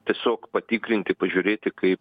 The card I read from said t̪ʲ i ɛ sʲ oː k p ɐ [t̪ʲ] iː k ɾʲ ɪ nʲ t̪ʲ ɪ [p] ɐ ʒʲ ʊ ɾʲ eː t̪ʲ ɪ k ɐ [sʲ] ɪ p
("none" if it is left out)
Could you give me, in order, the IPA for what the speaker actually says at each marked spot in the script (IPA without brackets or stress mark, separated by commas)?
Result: t̪ʲ, p, none